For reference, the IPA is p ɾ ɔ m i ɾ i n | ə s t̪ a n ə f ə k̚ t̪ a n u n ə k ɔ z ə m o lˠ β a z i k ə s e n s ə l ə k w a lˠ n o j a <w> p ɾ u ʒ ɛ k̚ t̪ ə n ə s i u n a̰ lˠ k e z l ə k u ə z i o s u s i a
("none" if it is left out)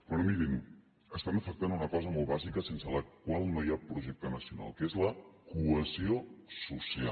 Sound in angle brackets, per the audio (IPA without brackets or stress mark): none